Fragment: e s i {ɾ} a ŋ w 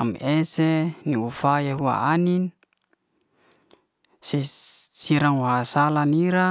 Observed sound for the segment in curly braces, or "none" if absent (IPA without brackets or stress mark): ɾ